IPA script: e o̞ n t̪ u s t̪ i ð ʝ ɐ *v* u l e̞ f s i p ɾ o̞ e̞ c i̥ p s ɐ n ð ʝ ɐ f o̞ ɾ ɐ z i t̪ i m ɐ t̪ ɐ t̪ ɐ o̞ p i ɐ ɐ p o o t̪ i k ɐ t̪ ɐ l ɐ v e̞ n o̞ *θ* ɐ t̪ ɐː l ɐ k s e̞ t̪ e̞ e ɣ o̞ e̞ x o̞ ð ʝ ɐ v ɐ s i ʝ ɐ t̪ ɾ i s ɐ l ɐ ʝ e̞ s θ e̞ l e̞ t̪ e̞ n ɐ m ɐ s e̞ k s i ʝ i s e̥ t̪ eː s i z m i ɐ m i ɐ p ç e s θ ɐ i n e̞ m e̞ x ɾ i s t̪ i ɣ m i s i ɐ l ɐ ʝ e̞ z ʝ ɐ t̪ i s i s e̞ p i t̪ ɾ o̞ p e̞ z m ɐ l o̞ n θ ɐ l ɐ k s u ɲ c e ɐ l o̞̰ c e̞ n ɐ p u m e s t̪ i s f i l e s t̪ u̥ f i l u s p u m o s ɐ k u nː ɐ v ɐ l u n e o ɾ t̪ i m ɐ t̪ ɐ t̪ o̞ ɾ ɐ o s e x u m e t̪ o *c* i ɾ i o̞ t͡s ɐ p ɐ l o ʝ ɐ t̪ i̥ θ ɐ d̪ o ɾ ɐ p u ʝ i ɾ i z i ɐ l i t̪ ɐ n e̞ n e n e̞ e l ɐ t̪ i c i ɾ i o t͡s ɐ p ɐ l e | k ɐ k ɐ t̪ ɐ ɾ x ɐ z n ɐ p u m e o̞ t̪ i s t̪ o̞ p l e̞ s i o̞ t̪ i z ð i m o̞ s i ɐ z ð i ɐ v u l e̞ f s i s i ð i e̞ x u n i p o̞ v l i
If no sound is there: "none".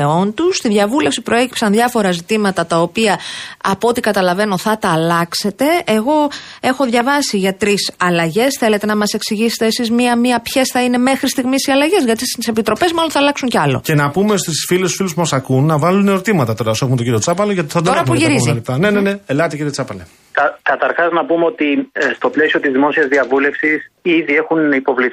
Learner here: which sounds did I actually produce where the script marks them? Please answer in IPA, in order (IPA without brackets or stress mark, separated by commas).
v, θ, ɟ